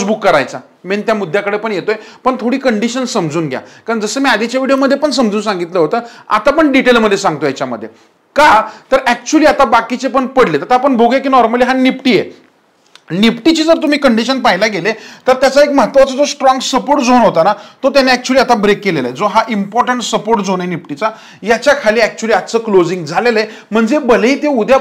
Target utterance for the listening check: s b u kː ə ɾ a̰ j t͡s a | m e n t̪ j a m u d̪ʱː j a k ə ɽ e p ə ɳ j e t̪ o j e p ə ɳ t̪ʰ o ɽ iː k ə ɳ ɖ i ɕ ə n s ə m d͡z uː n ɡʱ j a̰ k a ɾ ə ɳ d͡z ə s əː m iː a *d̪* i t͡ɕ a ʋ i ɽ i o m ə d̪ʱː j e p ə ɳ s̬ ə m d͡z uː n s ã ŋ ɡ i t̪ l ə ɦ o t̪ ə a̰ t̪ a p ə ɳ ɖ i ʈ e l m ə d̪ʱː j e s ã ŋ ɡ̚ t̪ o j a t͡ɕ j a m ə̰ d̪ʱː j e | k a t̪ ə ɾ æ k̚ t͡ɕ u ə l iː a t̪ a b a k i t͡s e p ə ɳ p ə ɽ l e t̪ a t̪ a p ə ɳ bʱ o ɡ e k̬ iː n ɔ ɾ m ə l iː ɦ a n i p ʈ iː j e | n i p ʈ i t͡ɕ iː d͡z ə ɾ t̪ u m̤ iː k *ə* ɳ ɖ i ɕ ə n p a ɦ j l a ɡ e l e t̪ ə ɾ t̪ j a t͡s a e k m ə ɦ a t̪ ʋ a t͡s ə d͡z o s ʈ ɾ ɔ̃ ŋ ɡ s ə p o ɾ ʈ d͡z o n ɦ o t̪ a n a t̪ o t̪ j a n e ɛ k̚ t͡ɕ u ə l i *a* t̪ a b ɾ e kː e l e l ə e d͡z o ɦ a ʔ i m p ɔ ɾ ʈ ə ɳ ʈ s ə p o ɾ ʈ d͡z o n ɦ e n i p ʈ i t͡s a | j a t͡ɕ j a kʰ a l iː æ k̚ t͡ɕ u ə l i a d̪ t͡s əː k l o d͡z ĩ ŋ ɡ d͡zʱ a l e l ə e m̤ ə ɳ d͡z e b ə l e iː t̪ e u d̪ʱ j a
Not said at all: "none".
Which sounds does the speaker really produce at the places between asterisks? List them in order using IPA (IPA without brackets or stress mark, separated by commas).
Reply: d̪, ə, a